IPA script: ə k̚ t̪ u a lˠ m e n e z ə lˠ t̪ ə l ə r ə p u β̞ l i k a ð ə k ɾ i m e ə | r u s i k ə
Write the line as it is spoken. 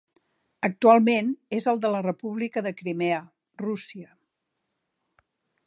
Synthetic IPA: ə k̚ t̪ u a lˠ m e n e z ə lˠ d̪ ə l ə r ə p u β̞ l i k ə ð ə k ɾ i m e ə | r u s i ə